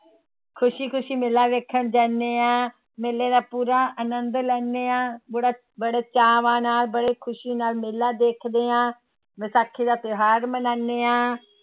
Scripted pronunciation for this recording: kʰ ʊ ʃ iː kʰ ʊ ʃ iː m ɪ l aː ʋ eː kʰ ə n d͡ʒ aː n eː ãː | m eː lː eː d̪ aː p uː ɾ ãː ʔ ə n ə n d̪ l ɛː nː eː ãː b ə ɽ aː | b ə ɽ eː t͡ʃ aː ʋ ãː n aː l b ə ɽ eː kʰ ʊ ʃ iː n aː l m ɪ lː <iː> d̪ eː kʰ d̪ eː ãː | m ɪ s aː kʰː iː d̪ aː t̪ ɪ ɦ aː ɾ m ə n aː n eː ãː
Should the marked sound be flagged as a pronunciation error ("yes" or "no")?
yes